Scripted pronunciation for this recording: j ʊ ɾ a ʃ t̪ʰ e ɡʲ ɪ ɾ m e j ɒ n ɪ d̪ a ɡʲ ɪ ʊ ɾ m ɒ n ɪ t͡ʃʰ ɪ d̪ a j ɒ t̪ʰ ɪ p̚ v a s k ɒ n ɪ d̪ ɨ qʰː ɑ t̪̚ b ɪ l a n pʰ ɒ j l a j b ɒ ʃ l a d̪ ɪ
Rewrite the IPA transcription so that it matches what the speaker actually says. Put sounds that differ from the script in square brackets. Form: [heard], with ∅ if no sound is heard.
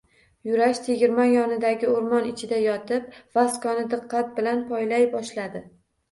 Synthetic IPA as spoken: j ʊ ɾ a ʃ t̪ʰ e ɡʲ ɪ ɾ m [a] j ɒ n ɪ d̪ a ɡʲ ɪ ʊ ɾ m ɒ n ɪ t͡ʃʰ ɪ d̪ a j ɒ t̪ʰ ɪ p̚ v a s k ɒ n ɪ d̪ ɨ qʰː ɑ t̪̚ b ɪ l a n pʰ ɒ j l a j b ɒ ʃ l a d̪ ɪ